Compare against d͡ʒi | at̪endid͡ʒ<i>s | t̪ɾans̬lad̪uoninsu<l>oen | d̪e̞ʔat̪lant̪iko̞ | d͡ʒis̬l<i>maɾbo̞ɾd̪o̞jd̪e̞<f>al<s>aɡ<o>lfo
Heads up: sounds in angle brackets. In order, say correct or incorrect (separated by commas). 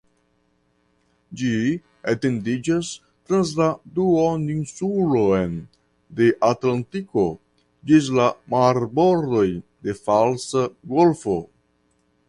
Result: incorrect, correct, incorrect, correct, correct, correct